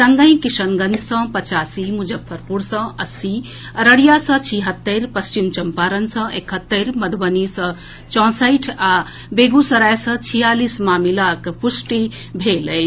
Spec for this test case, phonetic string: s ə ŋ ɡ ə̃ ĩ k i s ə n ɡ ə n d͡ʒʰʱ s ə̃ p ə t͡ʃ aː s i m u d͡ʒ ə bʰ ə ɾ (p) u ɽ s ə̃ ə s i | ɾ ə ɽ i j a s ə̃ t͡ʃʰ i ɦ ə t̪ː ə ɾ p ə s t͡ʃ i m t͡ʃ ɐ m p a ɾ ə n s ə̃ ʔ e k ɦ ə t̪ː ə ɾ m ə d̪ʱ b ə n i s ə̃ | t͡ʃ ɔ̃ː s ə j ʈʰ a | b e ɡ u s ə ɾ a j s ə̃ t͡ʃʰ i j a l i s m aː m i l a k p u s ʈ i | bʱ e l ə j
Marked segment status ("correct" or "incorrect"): correct